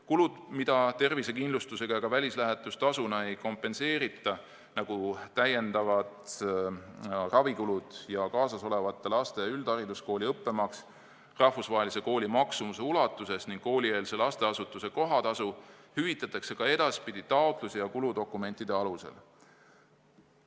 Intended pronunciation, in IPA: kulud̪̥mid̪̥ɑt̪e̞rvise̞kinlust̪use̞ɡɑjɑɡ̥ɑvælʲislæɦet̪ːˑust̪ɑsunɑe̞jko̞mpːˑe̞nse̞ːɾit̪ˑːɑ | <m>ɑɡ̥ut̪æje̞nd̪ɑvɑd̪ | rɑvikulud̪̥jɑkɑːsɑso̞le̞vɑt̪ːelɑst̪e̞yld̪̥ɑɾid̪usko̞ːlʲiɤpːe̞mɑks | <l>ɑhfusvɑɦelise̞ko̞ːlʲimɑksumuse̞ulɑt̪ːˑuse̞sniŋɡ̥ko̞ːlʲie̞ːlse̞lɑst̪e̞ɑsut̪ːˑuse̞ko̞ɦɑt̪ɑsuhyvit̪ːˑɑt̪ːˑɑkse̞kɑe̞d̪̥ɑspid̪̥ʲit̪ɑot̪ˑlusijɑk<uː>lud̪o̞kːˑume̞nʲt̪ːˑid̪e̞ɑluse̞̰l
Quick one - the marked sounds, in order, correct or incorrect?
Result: incorrect, incorrect, incorrect

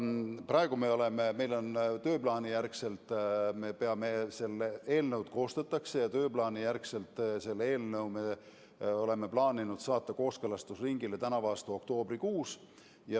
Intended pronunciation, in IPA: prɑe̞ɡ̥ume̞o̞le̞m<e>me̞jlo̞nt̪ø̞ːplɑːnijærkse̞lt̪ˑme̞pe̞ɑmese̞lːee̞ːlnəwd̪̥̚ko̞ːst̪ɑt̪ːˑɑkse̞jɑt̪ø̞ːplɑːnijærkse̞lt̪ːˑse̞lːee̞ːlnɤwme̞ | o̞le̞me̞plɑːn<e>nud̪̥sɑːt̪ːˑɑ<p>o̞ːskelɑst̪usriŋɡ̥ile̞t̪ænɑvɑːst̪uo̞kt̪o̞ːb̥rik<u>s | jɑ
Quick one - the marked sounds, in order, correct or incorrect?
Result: correct, incorrect, incorrect, incorrect

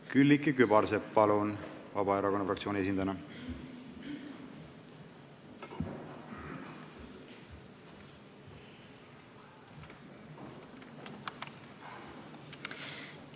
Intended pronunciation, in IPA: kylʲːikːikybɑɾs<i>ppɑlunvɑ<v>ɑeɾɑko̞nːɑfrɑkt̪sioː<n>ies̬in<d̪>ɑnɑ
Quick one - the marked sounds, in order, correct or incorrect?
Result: incorrect, incorrect, correct, correct

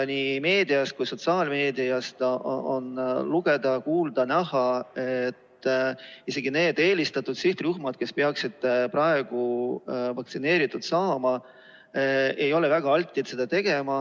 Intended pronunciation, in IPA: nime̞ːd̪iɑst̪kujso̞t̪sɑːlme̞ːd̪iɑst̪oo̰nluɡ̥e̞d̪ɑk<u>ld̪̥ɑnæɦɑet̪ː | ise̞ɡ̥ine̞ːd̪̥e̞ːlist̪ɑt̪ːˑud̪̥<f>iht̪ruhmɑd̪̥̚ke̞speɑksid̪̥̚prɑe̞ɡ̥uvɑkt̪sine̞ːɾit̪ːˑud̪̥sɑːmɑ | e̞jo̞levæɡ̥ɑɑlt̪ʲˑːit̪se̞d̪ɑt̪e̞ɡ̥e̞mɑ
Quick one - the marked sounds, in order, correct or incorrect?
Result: incorrect, incorrect

